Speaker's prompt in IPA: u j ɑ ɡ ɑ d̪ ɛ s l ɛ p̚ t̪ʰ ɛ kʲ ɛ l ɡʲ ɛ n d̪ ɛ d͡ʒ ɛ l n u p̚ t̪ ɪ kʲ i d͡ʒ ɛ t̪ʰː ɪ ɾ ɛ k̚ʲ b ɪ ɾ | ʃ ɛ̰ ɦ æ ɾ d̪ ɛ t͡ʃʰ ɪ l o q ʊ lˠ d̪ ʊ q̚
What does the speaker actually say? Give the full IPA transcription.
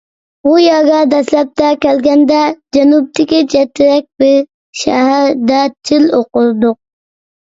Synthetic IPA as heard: u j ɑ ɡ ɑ d̪ ɛ s l ɛ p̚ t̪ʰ ɛ kʲ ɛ l ɡʲ ɛ n d̪ ɛ d͡ʒ ɛ n u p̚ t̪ ɪ kʲ i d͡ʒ ɛ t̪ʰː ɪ ɾ ɛ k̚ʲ b ɪ ɾ | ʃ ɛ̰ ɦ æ ɾ d̪ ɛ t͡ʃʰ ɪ l o q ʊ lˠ d̪ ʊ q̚

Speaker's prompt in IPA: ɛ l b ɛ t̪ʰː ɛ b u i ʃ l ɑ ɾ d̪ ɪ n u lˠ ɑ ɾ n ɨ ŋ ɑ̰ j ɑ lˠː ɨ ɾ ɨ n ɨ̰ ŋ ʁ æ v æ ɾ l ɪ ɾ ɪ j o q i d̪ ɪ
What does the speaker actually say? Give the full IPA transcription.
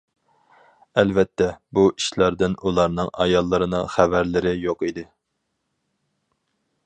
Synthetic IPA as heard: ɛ l v ɛ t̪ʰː ɛ b u i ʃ l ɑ ɾ d̪ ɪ n u lˠ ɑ ɾ n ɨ ŋ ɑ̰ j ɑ lˠː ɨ ɾ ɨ n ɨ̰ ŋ χ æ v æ ɾ l ɪ ɾ ɪ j o q i d̪ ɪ

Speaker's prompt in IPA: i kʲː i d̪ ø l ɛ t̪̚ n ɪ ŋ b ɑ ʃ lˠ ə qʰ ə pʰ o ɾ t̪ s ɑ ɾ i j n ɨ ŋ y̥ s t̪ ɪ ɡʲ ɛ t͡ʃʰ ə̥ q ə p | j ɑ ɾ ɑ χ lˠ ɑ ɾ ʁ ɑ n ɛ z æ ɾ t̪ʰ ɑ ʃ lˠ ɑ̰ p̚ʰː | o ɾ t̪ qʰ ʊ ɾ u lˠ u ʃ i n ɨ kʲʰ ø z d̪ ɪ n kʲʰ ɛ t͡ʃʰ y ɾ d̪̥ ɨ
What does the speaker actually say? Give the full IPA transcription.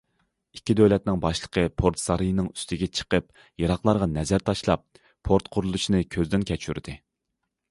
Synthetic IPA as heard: i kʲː i d̪ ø l ɛ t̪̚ n ɪ ŋ b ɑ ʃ lˠ ə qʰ ə pʰ o ɾ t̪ s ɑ ɾ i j n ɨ ŋ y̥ s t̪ ɪ ɡʲ ɛ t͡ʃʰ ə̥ q ə p | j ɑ ɾ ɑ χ lˠ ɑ ɾ ʁ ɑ n ɛ z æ ɾ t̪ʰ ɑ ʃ lˠ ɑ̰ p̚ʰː | o ɾ t̪ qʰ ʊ ɾ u lˠ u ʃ i n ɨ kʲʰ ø z d̪ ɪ n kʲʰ ɛ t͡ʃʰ y ɾ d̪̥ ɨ

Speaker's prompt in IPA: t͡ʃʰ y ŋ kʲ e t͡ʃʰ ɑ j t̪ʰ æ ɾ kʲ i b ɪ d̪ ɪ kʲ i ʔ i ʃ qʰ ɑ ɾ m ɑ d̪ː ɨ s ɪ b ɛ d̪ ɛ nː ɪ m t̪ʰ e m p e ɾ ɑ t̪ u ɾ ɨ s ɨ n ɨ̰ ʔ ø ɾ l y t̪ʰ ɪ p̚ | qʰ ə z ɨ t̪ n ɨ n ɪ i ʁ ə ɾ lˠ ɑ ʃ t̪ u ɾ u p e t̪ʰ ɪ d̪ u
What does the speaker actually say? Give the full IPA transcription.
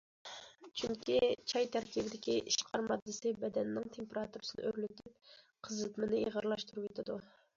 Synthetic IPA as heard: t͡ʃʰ y ŋ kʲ i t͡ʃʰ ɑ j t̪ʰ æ ɾ kʲ i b ɪ d̪ ɪ kʲ i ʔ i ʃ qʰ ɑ ɾ m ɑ d̪ː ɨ s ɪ b ɛ d̪ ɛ nː ɪ ŋ t̪ʰ e m p e ɾ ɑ t̪ u ɾ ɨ s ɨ n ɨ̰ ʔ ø ɾ l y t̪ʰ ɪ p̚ | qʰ ə z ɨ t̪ m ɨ n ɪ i ʁ ə ɾ lˠ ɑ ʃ t̪ u ɾ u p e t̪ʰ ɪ d̪ u

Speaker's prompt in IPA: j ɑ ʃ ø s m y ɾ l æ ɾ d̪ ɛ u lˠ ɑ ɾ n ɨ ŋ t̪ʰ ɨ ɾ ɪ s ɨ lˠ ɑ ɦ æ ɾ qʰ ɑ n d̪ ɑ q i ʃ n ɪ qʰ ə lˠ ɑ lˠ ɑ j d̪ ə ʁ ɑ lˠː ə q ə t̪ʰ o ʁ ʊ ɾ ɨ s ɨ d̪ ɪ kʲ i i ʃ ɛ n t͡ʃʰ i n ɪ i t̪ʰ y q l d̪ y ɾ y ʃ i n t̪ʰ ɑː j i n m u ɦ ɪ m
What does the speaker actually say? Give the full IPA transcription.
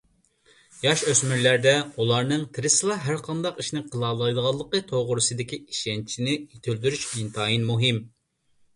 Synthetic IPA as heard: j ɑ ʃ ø s m y ɾ l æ ɾ d̪ ɛ u lˠ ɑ ɾ n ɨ ŋ t̪ʰ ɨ ɾ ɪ s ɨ lˠ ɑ ɦ æ ɾ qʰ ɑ n d̪ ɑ q i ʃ n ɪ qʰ ə lˠ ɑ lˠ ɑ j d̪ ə ʁ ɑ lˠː ə q ə t̪ʰ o ʁ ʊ ɾ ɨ s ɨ d̪ ɪ kʲ i i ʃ ɛ n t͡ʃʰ i n ɪ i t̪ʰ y l d̪ y ɾ y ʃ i n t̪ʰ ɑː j i n m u ɦ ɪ m

